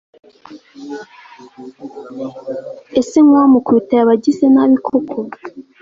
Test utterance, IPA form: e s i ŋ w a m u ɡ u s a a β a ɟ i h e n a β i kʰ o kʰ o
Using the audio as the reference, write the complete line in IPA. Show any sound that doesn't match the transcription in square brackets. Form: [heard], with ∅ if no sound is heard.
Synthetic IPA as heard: e s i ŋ w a m u [k] u [t] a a β a ɟ i [s] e n a β i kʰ o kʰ o

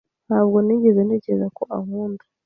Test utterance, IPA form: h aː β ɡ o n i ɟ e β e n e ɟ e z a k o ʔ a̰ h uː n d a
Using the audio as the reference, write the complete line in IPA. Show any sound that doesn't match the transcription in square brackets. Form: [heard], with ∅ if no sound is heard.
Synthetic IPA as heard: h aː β ɡ o n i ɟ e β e n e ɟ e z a k o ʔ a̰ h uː n d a

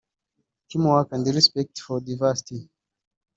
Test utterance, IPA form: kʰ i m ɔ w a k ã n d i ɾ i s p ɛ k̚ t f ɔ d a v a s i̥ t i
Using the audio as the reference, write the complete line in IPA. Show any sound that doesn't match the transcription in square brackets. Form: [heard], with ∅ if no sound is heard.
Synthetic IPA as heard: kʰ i m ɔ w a k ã n d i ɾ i s p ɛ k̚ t f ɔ d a v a s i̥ t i

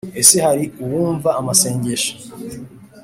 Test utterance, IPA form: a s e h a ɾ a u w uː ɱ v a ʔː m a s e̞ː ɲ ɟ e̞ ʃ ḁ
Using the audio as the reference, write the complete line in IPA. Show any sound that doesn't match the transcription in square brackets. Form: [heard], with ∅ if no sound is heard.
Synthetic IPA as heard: [e] s e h a ɾ [i] u w uː ɱ v a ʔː m a s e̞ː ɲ ɟ e̞ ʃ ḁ

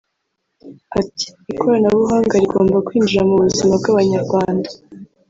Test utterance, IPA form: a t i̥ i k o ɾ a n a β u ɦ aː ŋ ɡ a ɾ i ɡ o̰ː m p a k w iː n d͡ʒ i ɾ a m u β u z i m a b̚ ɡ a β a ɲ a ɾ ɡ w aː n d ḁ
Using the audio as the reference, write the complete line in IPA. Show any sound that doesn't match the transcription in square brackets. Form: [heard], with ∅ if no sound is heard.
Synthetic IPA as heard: a t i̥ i k o ɾ a n a β u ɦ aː ŋ ɡ a ɾ i ɡ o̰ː m [b] a k w iː n d͡ʒ i ɾ a m u β u z i m a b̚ ɡ a β a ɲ a ɾ ɡ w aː n d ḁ

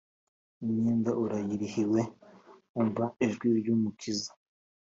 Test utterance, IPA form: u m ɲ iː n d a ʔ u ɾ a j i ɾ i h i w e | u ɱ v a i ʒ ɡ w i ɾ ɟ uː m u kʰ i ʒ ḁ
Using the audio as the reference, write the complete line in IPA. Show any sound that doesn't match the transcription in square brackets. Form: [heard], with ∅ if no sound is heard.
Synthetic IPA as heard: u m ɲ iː n d a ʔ u ɾ a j i ɾ i h i w e | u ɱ v a i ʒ ɡ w i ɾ ɟ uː m u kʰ i [z] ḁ

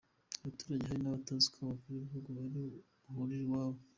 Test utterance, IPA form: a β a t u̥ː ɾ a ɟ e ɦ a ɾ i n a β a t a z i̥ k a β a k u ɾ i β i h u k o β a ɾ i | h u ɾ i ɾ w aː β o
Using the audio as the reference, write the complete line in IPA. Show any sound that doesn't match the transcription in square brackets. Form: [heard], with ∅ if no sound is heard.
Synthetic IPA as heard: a β a t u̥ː ɾ a ɟ e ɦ a ɾ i n a β a t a z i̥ k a β a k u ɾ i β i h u [ɡ] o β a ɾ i | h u ɾ i ɾ w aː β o

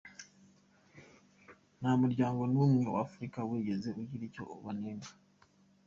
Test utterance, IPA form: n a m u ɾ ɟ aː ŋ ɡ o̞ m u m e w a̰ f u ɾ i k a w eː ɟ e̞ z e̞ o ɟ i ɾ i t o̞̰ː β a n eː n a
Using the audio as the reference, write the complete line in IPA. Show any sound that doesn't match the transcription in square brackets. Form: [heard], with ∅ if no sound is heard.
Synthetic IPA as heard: n a m u ɾ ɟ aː ŋ ɡ o̞ [n] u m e w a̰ f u ɾ i k a w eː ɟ e̞ z e̞ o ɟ i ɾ i [c] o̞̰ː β a n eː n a

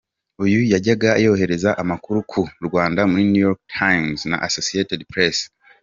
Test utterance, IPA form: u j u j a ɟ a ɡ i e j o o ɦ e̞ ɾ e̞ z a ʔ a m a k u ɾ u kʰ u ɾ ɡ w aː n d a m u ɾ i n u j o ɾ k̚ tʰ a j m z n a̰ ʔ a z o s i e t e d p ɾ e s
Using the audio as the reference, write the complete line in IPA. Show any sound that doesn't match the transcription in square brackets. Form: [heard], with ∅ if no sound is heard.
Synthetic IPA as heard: u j u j a ɟ a ɡ [a] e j o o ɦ e̞ ɾ e̞ z a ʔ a m a k u ɾ u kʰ u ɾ ɡ w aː n d a m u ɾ i n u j o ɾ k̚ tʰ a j m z n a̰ ʔ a [s] o s i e t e d p ɾ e s

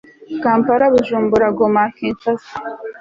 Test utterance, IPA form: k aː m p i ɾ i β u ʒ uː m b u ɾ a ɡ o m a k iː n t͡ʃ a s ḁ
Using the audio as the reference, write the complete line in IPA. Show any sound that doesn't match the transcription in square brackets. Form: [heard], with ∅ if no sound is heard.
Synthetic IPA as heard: k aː m p [a] ɾ [a] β u ʒ uː m b u ɾ a ɡ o m a k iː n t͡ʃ a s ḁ

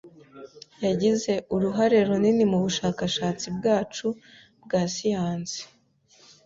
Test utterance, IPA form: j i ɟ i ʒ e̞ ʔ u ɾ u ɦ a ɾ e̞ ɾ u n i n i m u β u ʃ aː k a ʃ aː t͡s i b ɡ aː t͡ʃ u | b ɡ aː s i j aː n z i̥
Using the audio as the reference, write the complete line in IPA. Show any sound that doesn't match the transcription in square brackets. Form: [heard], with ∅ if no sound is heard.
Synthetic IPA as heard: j [a] ɟ i [z] e̞ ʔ u ɾ u ɦ a ɾ e̞ ɾ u n i n i m u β u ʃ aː k a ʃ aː t͡s i b ɡ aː t͡ʃ u | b ɡ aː s i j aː n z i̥

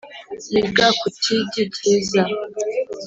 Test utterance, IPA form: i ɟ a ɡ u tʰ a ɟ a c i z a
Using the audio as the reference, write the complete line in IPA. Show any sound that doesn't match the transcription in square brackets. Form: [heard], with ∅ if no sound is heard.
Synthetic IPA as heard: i [ɡ] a [k] u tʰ [i] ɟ [i] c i z a

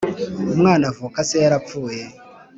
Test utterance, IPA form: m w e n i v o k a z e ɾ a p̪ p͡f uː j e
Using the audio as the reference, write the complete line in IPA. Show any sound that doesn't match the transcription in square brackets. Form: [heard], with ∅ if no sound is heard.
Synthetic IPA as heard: m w [a] n [a] v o k a [s] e ɾ a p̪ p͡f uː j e

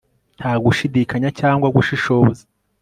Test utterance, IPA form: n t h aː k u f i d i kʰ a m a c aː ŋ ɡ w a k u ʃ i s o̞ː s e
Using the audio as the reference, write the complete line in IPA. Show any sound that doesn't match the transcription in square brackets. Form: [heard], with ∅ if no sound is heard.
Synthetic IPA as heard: n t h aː [ɡ] u [ʃ] i d i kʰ a [ɲ] a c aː ŋ ɡ w a [ɡ] u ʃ i [ʃ] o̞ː [z] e

